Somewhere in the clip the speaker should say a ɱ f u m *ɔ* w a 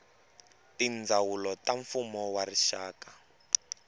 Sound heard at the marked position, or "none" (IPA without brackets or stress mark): ɔ